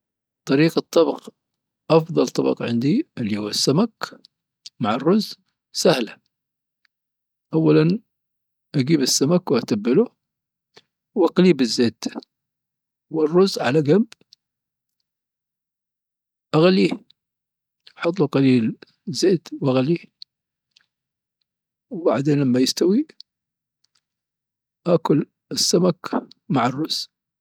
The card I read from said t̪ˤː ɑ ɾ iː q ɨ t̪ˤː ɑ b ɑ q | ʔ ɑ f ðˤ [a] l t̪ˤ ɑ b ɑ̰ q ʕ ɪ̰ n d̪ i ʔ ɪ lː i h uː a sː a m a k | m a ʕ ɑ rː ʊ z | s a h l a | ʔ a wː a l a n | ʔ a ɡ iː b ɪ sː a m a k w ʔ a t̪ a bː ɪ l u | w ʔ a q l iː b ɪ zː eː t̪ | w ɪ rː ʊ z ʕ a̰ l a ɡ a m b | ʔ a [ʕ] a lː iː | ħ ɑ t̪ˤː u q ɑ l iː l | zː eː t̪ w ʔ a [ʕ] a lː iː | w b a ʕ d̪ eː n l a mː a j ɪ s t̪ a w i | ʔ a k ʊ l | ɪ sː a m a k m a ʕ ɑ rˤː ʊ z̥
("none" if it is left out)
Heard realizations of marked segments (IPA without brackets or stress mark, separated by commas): ɑ, ɣ, ɣ